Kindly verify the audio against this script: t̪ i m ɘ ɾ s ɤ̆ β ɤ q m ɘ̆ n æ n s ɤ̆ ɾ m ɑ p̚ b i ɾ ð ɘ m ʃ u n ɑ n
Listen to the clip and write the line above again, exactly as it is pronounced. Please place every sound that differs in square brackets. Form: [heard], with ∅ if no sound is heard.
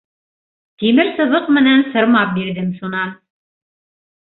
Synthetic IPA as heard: t̪ i m ɘ ɾ s ɤ̆ β ɤ q m ɘ̆ n æ n s ɤ̆ ɾ m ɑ p̚ b i ɾ ð ɘ m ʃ u n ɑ n

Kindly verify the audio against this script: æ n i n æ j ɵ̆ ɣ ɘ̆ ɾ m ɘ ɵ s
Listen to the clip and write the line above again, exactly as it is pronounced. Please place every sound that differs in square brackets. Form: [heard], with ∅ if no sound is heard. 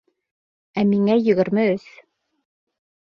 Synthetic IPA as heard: æ [m] i [ŋ] æ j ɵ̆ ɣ ɘ̆ ɾ m ɘ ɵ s

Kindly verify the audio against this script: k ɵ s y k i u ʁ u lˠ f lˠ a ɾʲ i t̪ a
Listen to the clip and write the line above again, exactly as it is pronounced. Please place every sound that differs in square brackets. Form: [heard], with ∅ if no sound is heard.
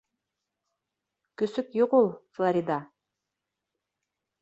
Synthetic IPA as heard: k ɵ s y k [j] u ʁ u lˠ f lˠ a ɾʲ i [d̪] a

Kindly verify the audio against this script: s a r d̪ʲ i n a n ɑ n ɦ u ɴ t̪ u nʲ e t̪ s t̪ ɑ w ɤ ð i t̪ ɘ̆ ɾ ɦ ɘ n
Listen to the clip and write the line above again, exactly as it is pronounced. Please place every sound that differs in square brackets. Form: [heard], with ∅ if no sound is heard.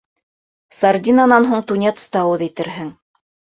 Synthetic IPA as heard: s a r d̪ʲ i n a n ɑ n ɦ u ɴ t̪ u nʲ e t̪ s t̪ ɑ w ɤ ð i t̪ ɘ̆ ɾ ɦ ɘ [ŋ]

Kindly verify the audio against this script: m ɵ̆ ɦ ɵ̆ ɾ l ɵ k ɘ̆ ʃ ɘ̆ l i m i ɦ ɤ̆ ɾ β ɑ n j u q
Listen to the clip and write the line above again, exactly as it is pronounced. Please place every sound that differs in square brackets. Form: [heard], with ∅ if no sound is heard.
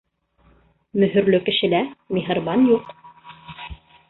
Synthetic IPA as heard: m ɵ̆ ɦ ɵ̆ ɾ l ɵ k ɘ̆ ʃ ɘ̆ l [æ] m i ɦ ɤ̆ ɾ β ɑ n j u q

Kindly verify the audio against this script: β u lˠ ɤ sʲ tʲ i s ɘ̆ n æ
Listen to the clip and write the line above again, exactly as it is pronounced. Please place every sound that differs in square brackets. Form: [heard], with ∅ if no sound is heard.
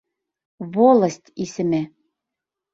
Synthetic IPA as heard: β [o] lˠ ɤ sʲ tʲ i s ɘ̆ [m] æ

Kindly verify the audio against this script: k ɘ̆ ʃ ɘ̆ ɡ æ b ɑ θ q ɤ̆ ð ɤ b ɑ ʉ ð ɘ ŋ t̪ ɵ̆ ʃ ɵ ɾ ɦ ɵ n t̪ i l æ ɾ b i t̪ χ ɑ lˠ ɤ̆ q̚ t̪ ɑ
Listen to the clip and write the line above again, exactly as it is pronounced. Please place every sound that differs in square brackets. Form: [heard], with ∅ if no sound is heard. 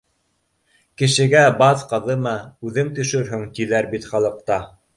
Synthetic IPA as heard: k ɘ̆ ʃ ɘ̆ ɡ æ b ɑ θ q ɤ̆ ð ɤ [m] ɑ ʉ ð ɘ ŋ t̪ ɵ̆ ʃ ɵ ɾ ɦ ɵ [ŋ] t̪ i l æ ɾ b i t̪ χ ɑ lˠ ɤ̆ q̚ t̪ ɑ

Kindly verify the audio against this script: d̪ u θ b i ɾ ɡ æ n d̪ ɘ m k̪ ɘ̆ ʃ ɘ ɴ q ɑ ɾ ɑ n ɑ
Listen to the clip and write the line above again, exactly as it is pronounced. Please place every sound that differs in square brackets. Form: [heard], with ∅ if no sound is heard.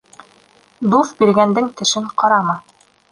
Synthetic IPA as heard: d̪ u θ b i ɾ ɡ æ n d̪ ɘ [ŋ] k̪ ɘ̆ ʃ ɘ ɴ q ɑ ɾ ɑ [m] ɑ

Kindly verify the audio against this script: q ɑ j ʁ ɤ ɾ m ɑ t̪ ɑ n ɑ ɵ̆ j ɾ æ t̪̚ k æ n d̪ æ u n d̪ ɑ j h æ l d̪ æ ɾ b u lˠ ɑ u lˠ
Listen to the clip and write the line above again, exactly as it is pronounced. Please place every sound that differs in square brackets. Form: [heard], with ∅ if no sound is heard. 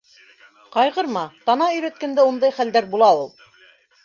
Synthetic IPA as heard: q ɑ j ʁ ɤ ɾ m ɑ t̪ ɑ n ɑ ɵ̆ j ɾ æ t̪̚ k æ n d̪ æ u n d̪ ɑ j [χ] æ l d̪ æ ɾ b u lˠ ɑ u lˠ

